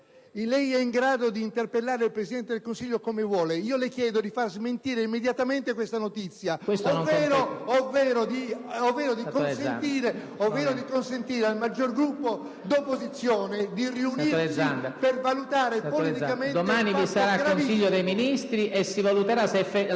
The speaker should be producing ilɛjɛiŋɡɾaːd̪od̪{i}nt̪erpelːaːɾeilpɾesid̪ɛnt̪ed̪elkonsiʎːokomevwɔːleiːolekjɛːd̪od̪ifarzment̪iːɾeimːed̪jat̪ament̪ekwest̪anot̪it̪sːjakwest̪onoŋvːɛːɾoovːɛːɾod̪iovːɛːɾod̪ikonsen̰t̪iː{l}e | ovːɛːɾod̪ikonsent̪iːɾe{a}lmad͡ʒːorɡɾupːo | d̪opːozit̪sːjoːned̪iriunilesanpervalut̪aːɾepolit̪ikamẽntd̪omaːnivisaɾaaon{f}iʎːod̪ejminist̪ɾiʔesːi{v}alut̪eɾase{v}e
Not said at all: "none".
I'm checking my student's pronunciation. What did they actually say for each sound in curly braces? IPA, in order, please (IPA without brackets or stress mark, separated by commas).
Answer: iː, ɾ, a, s, v, f